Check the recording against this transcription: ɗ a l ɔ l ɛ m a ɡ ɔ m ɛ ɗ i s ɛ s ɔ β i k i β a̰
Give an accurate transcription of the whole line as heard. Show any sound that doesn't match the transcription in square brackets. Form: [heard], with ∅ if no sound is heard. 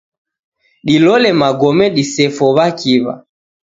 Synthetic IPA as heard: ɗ [i] l ɔ l ɛ m a ɡ ɔ m ɛ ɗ i s ɛ [f] ɔ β [a] k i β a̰